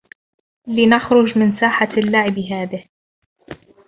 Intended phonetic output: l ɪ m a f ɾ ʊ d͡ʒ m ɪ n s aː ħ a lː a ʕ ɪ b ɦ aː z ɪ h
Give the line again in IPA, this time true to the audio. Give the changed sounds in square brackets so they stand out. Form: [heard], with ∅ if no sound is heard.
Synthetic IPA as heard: l ɪ [n] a [x] ɾ ʊ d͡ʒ m ɪ n s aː ħ a lː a ʕ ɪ b ɦ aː [ð] ɪ h